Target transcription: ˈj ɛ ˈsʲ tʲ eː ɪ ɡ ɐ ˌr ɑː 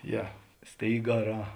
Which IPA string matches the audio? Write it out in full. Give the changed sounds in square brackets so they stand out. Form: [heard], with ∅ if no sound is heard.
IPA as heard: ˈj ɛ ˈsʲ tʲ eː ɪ ɡ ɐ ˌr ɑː

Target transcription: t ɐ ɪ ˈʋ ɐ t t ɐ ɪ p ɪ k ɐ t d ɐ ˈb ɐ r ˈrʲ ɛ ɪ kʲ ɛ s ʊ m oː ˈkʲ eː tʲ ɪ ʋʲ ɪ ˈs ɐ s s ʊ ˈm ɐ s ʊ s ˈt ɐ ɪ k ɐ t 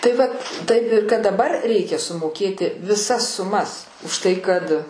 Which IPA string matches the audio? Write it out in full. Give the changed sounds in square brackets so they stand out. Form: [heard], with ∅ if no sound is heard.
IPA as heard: t ɐ ɪ ˈʋ ɐ t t ɐ ɪ p ɪ k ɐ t d ɐ ˈb ɐ r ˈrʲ ɛ ɪ kʲ ɛ s ʊ m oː ˈkʲ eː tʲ ɪ ʋʲ ɪ ˈs ɐ s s ʊ ˈm ɐ s ʊ [ʃ] ˈt ɐ ɪ k ɐ t

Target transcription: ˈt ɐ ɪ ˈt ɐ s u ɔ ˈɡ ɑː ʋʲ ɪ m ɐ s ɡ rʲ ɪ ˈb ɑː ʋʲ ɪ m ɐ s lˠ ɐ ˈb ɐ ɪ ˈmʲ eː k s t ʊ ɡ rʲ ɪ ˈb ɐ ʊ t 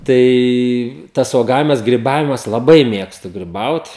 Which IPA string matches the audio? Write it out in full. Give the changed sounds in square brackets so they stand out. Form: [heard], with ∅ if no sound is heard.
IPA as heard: ˈt ɐ ɪ ˈt ɐ s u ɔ ˈɡ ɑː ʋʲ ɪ m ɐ s ɡ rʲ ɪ ˈb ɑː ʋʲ ɪ m ɐ s lˠ ɐ ˈb ɐ ɪ ˈmʲ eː k s t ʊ ɡ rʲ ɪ ˈb ɐ ʊ t

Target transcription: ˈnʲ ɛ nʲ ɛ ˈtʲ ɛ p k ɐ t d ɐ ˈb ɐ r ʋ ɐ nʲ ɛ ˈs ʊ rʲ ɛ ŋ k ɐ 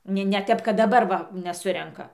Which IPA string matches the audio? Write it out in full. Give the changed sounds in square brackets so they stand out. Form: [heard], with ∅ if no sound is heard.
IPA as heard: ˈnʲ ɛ nʲ ɛ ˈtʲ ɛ p k ɐ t d ɐ ˈb ɐ r ʋ ɐ nʲ ɛ ˈs ʊ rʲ ɛ ŋ k ɐ

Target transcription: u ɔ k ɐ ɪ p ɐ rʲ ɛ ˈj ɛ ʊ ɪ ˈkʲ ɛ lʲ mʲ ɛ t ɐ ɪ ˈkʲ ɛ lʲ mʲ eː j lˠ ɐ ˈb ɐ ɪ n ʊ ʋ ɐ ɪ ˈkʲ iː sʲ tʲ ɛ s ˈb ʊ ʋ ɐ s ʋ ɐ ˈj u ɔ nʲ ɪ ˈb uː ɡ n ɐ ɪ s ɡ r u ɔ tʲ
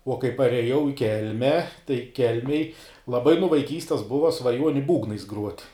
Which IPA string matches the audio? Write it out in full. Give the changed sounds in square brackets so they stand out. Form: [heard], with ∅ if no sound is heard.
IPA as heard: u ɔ k ɐ ɪ p ɐ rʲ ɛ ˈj ɛ ʊ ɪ ˈkʲ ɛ lʲ mʲ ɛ t ɐ ɪ ˈkʲ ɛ lʲ mʲ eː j lˠ ɐ ˈb ɐ ɪ n ʊ ʋ ɐ ɪ ˈkʲ iː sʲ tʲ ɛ s ˈb ʊ ʋ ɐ s ʋ ɐ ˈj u ɔ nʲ ɪ ˈb uː ɡ n ɐ ɪ s ɡ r u ɔ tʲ

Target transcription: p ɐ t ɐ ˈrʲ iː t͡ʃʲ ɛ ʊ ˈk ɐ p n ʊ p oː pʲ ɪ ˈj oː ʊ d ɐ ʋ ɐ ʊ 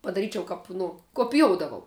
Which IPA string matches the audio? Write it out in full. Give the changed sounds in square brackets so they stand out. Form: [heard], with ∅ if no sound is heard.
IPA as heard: p ɐ [d] ɐ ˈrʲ iː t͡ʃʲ ɛ ʊ ˈk ɐ p n ʊ [k] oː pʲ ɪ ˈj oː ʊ d ɐ ʋ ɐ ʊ

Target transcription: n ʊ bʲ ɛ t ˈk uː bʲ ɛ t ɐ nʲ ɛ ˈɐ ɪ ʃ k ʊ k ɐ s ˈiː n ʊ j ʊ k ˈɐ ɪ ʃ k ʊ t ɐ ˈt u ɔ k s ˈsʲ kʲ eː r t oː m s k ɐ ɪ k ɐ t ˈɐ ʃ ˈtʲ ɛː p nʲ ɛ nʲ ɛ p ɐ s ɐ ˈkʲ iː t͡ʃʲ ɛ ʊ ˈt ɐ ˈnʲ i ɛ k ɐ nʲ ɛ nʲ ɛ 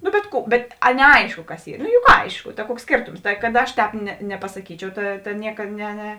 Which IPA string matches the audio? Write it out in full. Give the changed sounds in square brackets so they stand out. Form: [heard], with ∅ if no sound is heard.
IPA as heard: n ʊ bʲ ɛ t ˈk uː bʲ ɛ t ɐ nʲ ɛ ˈɐ ɪ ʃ k ʊ k ɐ s ˈiː n ʊ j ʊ k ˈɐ ɪ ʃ k ʊ t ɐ [ˈk] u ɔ k s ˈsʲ kʲ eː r t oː m s [t] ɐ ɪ k ɐ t ˈɐ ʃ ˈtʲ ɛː p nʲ ɛ nʲ ɛ p ɐ s ɐ ˈkʲ iː t͡ʃʲ ɛ ʊ ˈt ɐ ˈnʲ i ɛ k ɐ nʲ ɛ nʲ ɛ

